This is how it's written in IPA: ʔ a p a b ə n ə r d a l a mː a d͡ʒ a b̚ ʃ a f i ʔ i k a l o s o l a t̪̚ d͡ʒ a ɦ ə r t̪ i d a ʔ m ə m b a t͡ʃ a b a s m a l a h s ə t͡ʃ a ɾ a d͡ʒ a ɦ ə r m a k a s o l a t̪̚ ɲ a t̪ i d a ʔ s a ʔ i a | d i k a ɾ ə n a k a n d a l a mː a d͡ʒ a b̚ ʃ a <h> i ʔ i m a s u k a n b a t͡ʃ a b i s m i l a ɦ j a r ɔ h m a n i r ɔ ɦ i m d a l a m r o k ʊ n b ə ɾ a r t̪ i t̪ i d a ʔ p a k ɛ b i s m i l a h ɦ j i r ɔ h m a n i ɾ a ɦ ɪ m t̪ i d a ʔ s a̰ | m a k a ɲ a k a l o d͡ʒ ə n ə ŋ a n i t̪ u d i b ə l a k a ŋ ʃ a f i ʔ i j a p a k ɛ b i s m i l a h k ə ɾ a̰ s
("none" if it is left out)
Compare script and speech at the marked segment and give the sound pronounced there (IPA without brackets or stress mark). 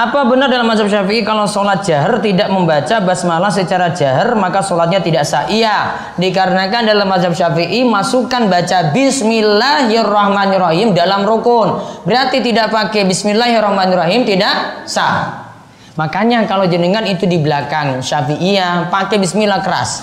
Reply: f